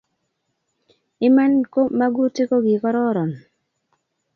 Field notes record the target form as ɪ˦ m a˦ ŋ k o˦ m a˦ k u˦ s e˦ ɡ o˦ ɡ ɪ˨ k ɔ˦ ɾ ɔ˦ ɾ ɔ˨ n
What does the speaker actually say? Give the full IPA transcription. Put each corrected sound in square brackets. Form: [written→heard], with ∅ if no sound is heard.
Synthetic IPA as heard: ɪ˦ m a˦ [ŋ→n] k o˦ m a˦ [k→ɡ] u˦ [s→t] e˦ [ɡ→k] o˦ ɡ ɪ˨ k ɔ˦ ɾ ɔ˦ ɾ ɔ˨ n